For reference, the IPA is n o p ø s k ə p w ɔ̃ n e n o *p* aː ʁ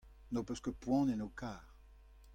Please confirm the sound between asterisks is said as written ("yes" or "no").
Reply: no